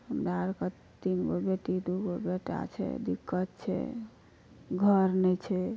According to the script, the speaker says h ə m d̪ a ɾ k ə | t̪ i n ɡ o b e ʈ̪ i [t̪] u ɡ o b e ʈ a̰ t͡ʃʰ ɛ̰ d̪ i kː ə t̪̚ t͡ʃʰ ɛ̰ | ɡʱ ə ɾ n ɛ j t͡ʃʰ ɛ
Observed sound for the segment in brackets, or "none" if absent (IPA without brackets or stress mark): d̪